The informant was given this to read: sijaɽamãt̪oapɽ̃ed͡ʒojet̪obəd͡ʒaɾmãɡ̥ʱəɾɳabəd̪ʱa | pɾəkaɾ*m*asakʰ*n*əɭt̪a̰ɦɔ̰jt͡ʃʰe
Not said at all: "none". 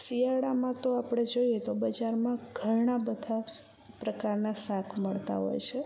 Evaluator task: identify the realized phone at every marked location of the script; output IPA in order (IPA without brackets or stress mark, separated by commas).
n, m